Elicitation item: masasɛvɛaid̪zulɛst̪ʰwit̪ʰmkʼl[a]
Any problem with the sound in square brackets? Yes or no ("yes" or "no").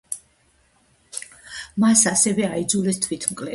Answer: yes